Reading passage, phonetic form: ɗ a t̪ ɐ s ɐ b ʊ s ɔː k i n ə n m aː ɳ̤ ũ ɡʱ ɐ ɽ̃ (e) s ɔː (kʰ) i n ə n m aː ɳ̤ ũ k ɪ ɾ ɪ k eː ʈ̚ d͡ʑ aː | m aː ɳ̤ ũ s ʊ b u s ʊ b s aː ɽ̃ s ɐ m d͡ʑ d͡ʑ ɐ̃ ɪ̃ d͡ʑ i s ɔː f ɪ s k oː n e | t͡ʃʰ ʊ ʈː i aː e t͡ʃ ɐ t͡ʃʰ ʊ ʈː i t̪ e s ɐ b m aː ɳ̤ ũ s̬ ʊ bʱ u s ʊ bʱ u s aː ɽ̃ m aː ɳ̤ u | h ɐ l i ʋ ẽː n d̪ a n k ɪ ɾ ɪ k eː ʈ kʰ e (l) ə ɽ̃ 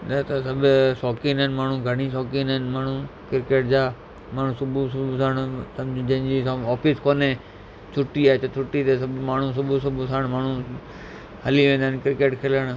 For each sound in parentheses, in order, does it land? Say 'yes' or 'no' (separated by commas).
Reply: no, no, yes